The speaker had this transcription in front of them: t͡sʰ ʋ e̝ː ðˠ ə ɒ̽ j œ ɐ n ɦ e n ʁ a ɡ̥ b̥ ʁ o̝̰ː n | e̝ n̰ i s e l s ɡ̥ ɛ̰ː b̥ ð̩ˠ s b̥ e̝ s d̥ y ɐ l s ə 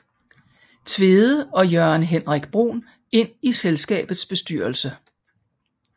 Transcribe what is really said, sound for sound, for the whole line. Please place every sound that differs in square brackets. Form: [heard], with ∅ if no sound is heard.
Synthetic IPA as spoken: t͡sʰ ʋ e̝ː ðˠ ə ɒ̽ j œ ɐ n ɦ e n ʁ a ɡ̥ b̥ ʁ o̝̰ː n | e̝ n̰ i s e l s ɡ̥ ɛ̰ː b̥ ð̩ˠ s b̥ e̝ s d̥ y ɐ l s ə